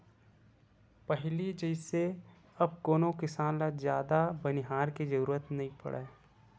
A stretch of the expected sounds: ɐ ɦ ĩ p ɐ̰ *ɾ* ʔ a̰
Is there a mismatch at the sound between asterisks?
yes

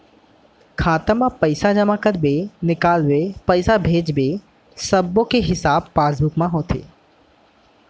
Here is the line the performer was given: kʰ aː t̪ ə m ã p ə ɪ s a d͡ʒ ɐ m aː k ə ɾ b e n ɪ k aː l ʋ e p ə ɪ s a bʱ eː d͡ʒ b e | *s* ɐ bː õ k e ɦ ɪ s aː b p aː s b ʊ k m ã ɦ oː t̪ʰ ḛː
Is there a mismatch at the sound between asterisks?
no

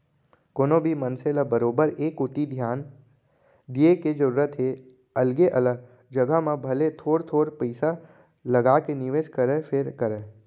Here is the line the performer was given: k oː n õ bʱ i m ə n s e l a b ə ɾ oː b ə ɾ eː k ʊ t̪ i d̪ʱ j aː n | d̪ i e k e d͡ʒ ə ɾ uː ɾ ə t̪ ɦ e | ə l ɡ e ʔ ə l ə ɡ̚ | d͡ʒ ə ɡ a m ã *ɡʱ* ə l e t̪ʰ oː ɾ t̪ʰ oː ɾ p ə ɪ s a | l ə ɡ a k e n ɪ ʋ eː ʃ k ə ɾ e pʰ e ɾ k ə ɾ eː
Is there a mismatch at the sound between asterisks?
yes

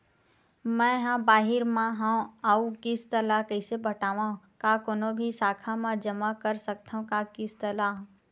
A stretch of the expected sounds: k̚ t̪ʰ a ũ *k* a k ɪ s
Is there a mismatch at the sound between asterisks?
no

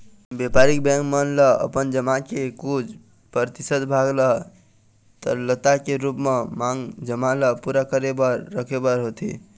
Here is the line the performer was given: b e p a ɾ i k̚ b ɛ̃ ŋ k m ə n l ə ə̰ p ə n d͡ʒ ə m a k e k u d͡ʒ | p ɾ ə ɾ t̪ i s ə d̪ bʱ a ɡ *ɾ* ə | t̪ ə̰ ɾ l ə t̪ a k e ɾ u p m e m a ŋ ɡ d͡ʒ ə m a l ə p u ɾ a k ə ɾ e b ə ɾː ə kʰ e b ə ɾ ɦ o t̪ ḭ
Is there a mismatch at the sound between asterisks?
yes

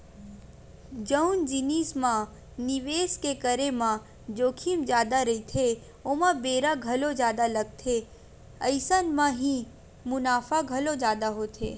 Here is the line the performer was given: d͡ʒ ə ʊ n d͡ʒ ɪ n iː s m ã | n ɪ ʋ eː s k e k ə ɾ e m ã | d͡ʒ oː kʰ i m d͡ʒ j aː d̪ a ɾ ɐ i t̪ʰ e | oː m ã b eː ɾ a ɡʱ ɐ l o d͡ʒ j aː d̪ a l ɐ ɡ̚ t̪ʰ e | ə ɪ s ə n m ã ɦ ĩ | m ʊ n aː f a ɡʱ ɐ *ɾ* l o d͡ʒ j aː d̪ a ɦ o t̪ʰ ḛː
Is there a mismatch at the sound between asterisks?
yes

